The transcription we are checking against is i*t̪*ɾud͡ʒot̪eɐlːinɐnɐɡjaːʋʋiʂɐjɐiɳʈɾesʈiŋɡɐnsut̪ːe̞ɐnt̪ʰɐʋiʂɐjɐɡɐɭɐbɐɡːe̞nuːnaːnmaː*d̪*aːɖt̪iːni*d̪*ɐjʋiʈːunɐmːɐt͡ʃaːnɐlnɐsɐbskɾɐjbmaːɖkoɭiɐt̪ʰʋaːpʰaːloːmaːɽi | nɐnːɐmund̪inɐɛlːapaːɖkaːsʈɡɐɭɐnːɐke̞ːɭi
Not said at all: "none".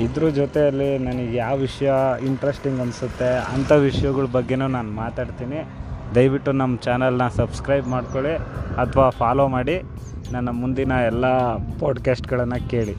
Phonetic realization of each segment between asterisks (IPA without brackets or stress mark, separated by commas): d̪, t̪, d̪